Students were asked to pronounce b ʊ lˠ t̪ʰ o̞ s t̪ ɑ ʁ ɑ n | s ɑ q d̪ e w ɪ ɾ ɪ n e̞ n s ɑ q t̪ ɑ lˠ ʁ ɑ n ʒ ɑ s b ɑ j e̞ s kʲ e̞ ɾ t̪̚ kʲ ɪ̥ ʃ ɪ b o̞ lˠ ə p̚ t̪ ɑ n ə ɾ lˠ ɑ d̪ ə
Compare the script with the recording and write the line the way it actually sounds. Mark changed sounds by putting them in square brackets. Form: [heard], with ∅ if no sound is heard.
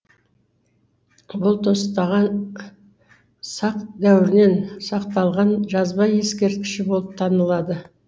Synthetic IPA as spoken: b ʊ lˠ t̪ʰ o̞ s t̪ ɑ ʁ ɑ n | s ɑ q d̪ [æ] w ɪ ɾ ɪ n e̞ n s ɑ q t̪ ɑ lˠ ʁ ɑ n ʒ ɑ [z] b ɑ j e̞ s kʲ e̞ ɾ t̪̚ kʲ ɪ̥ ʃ ɪ b o̞ lˠ ə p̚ [t̪ʰ] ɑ n ə [∅] lˠ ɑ d̪ ə

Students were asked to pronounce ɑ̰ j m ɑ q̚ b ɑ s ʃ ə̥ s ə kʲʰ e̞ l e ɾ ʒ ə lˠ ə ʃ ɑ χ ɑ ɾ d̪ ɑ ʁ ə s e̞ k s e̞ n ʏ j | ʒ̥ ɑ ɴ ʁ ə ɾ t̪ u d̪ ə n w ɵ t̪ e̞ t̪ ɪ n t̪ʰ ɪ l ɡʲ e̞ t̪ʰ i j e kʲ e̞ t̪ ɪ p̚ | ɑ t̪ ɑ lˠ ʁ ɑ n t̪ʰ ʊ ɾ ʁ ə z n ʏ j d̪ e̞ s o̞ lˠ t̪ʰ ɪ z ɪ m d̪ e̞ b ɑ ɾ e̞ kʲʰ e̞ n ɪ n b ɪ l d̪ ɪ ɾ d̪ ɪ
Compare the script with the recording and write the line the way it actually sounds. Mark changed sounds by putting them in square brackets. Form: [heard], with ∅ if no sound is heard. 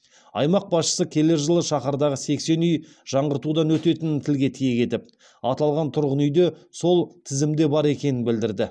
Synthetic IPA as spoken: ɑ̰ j m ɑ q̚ b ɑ s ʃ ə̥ s ə kʲʰ e̞ l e ɾ ʒ ə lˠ ə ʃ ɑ χ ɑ ɾ d̪ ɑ ʁ ə s e̞ k s e̞ n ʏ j | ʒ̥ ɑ ɴ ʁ ə ɾ t̪ u d̪ [ɑ] n w ɵ t̪ e̞ t̪ ɪ n t̪ʰ ɪ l ɡʲ e̞ t̪ʰ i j e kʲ e̞ t̪ ɪ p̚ | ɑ t̪ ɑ lˠ ʁ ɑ n t̪ʰ ʊ ɾ ʁ ə [∅] n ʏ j d̪ e̞ s o̞ lˠ t̪ʰ ɪ z ɪ m d̪ e̞ b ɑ ɾ e̞ [kʲ] e̞ n ɪ n b ɪ l d̪ ɪ ɾ d̪ ɪ

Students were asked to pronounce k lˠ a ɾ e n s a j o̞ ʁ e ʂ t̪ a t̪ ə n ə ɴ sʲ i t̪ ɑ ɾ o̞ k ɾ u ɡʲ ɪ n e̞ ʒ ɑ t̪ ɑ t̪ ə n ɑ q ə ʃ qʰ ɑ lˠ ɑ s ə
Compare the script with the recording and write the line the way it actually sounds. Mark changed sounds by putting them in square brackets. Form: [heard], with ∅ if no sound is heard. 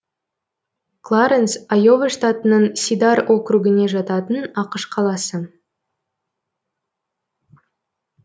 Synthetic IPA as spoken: k lˠ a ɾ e n s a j o̞ [v] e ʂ t̪ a t̪ ə n ə ɴ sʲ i [d̪] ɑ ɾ o̞ k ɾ u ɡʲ ɪ n e̞ ʒ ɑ t̪ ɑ t̪ ə n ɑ q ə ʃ qʰ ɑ lˠ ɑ s ə

